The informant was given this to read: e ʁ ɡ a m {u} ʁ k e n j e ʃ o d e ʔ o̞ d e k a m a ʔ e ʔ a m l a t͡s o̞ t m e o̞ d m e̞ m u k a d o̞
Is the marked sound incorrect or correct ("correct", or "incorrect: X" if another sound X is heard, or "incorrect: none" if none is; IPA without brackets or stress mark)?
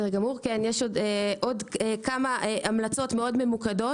correct